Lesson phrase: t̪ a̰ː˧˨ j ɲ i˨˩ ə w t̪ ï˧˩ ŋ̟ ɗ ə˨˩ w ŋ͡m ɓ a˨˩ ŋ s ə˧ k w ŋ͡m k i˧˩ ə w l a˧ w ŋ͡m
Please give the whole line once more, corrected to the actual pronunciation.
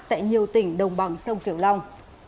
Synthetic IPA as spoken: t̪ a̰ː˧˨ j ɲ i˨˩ ə w t̪ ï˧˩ ŋ̟ ɗ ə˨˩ w ŋ͡m ɓ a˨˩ ŋ s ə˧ w ŋ͡m k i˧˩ ə w l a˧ w ŋ͡m